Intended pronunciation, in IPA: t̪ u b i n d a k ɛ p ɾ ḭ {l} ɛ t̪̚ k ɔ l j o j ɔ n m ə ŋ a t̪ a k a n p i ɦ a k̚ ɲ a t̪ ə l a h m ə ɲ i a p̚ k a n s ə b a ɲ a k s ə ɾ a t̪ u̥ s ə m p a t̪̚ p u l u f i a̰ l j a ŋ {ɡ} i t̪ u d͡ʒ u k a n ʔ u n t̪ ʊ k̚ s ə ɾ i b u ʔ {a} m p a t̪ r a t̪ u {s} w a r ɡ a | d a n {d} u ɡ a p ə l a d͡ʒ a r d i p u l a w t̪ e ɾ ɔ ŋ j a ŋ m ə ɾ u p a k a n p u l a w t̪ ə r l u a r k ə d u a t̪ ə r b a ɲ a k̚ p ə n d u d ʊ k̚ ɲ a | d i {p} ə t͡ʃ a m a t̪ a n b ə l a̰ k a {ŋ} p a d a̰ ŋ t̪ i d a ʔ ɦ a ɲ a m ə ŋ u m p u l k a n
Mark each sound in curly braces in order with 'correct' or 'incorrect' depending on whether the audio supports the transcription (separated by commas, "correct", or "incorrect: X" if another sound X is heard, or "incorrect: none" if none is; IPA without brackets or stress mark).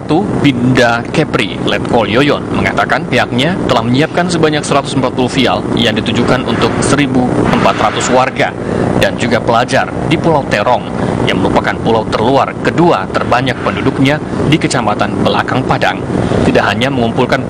correct, incorrect: d, incorrect: ə, correct, incorrect: d͡ʒ, incorrect: k, correct